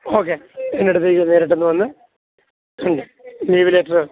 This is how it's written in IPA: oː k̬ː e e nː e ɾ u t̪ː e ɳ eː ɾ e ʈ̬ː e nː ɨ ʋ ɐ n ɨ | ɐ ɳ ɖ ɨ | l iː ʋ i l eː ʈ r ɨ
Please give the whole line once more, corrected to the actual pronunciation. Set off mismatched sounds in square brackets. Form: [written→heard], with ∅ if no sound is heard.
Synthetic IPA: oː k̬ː e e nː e [ɾ→ɽ] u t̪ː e [ɳ→n] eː ɾ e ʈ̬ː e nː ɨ ʋ ɐ [n→nː] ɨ | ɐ ɳ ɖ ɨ | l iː ʋ i l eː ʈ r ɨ

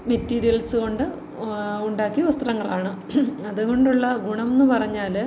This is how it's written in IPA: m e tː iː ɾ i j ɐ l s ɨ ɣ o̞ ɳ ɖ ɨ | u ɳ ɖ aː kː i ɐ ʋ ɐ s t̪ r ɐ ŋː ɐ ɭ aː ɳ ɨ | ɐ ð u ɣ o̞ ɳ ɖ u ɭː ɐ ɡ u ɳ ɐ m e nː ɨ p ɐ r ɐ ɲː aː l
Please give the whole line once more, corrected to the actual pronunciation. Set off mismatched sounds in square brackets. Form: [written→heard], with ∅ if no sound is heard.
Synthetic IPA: m e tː iː ɾ i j ɐ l s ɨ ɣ o̞ ɳ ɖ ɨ | u ɳ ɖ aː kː i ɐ ʋ ɐ s t̪ r ɐ ŋː ɐ ɭ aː ɳ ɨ | ɐ ð u ɣ o̞ ɳ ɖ u ɭː ɐ ɡ u ɳ ɐ m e nː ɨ p ɐ r ɐ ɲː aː l

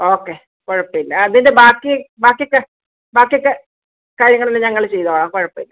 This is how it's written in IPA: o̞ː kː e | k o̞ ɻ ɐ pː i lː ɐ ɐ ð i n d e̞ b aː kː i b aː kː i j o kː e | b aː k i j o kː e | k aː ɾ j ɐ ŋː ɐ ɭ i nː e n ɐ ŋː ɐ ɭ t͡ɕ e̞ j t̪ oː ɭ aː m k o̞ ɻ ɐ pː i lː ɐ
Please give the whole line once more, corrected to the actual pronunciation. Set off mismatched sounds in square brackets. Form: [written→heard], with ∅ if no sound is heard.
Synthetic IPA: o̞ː kː e | k o̞ ɻ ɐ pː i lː ɐ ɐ ð i n d e̞ b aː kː i b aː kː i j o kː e | b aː k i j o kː e | k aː ɾ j ɐ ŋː ɐ ɭ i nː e [n→ɲ] ɐ ŋː ɐ ɭ t͡ɕ e̞ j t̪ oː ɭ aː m k o̞ ɻ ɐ pː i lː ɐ

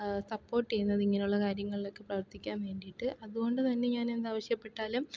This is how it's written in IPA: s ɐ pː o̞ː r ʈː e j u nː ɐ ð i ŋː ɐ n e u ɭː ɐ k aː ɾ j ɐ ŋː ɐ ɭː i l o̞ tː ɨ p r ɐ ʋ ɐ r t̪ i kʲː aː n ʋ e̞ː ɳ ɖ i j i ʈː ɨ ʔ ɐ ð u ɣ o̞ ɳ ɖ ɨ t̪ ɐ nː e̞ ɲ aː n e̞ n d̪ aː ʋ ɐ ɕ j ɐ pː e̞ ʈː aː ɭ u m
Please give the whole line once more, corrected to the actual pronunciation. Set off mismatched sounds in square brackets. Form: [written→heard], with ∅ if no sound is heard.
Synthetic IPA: s ɐ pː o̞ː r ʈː e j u nː ɐ ð i ŋː ɐ n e u ɭː ɐ k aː ɾ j ɐ ŋː ɐ [ɭː→ɭ] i l o̞ [tː→kː] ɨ p r ɐ ʋ ɐ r t̪ i kʲː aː n ʋ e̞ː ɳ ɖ i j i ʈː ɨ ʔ ɐ ð u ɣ o̞ ɳ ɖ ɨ t̪ ɐ nː e̞ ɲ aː n e̞ n d̪ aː ʋ ɐ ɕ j ɐ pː e̞ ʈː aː [ɭ→l] u m

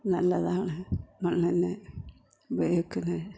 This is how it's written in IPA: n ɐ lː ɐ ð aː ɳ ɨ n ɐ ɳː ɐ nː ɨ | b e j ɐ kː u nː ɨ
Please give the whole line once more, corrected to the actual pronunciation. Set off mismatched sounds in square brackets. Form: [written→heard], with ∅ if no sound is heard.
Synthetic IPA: n ɐ lː ɐ ð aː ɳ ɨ [n→m] ɐ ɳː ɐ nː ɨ | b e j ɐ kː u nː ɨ

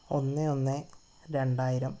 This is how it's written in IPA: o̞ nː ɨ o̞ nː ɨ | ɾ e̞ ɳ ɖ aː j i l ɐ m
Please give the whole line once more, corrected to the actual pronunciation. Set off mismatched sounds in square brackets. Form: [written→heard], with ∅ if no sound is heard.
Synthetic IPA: o̞ nː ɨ o̞ nː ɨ | ɾ e̞ ɳ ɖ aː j i [l→ɾ] ɐ m

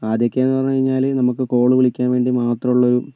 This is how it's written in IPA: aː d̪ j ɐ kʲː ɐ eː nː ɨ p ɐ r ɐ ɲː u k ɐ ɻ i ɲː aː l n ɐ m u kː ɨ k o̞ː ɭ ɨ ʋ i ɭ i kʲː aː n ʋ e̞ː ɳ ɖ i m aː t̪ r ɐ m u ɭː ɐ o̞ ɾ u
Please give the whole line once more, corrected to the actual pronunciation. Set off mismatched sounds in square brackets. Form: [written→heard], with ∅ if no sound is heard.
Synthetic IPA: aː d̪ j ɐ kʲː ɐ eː nː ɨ p ɐ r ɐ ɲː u k ɐ ɻ i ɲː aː l n ɐ m u kː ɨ k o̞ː ɭ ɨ ʋ i ɭ i kʲː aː n ʋ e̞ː ɳ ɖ i m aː t̪ r ɐ m u ɭː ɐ o̞ ɾ u

